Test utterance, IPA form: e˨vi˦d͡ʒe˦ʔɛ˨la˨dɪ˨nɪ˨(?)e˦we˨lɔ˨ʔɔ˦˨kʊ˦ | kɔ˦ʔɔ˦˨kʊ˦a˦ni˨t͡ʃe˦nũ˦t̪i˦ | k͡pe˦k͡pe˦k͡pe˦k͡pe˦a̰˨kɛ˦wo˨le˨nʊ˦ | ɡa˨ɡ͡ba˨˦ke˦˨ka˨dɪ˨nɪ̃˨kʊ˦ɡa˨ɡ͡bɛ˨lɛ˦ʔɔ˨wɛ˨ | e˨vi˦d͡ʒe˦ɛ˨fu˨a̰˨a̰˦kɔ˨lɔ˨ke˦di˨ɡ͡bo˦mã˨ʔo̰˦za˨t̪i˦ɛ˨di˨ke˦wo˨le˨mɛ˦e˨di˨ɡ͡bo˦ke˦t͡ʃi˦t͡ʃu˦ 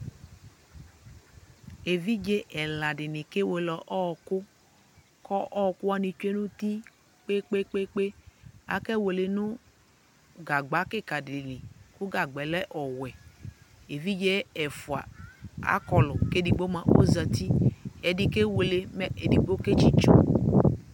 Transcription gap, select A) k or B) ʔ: A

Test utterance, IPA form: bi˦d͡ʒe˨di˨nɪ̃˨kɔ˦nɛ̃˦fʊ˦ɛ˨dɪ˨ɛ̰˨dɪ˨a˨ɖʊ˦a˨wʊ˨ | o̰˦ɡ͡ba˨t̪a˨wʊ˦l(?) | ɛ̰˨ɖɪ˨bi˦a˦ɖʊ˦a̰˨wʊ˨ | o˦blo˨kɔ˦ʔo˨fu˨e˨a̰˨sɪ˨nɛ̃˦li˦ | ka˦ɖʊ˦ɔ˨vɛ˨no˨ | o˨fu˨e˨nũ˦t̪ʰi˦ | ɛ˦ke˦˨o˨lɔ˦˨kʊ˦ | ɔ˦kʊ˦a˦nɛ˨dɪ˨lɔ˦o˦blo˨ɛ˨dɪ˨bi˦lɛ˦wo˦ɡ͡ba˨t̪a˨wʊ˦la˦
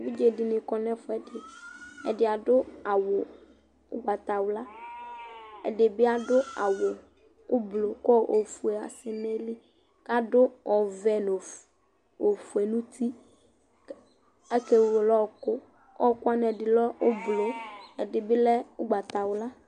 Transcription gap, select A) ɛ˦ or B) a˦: B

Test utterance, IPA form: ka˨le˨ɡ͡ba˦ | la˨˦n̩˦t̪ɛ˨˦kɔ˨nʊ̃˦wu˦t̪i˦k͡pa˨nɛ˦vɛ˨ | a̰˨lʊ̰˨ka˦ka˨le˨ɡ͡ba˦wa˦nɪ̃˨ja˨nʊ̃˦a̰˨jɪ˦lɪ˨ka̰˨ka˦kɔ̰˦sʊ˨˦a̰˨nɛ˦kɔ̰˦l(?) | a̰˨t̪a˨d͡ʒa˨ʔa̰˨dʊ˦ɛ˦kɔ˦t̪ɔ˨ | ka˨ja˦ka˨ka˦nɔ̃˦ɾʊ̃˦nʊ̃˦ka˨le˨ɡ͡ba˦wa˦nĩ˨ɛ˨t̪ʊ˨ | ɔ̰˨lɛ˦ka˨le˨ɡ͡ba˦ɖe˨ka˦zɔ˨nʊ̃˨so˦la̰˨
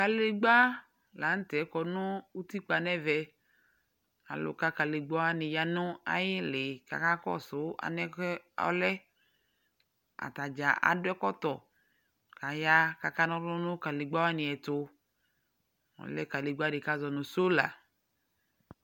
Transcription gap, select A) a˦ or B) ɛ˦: B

